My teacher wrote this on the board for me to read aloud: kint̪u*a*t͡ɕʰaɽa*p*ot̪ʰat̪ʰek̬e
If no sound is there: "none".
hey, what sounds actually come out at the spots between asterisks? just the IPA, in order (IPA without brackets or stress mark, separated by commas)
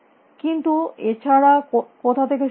e, k